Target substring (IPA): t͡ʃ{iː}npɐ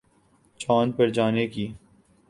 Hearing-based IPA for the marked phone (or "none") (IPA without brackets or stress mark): aː